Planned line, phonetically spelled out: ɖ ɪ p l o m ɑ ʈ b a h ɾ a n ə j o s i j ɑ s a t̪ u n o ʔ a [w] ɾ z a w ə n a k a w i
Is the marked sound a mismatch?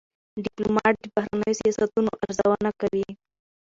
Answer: yes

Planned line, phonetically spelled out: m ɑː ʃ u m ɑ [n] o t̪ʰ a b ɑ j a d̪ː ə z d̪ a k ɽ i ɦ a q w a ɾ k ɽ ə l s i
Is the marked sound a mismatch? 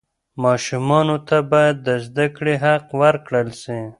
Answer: no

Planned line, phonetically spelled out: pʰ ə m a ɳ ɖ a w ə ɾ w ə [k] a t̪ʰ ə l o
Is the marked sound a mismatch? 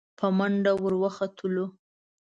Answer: yes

